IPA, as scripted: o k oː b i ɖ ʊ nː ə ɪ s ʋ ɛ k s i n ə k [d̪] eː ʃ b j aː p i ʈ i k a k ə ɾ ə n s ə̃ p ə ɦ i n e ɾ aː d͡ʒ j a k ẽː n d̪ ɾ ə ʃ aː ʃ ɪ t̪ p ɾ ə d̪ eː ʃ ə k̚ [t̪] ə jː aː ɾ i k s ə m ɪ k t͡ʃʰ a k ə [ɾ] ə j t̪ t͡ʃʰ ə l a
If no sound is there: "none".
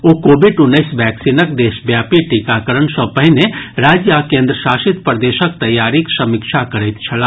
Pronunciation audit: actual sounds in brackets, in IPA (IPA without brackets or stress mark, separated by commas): d̪, t̪, ɾ